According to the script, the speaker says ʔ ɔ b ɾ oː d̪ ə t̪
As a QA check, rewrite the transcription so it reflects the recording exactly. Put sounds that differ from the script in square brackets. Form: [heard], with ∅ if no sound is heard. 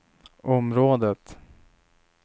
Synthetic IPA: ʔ ɔ [m] ɾ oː d̪ ə t̪

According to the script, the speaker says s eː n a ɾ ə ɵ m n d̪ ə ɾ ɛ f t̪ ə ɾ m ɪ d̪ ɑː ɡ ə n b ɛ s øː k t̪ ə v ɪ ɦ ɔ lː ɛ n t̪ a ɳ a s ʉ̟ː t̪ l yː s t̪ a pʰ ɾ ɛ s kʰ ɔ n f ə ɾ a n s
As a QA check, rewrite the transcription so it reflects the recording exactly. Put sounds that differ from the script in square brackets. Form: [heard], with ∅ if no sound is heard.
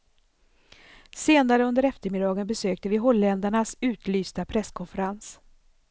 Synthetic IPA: s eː n a ɾ ə ɵ [∅] n d̪ ə ɾ ɛ f t̪ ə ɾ m ɪ d̪ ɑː ɡ ə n b ɛ s øː k t̪ ə v ɪ ɦ ɔ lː ɛ n [d̪] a ɳ a s ʉ̟ː t̪ l yː s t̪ a pʰ ɾ ɛ s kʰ ɔ n f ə ɾ a n s

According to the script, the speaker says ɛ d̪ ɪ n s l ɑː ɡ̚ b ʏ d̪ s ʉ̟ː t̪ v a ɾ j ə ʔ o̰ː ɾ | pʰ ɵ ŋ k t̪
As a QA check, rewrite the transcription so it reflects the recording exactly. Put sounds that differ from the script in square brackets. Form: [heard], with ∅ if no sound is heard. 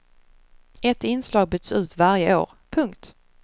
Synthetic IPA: ɛ [t̪] ɪ n s l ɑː ɡ̚ b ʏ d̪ s ʉ̟ː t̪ v a ɾ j ə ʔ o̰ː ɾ | pʰ ɵ ŋ k t̪

